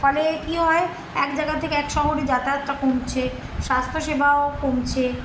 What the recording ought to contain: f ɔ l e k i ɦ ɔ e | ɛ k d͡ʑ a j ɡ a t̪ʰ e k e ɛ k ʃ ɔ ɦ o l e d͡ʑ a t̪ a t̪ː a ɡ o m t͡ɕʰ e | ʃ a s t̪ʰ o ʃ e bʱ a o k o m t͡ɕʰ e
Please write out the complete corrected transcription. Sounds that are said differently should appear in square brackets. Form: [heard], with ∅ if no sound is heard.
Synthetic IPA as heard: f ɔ l e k i ɦ ɔ e | ɛ k d͡ʑ a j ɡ a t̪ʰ e k e ɛ k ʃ ɔ ɦ o [ɾ] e d͡ʑ a t̪ a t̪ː a [k] o m t͡ɕʰ e | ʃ a s t̪ʰ o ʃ e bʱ a o k o m t͡ɕʰ e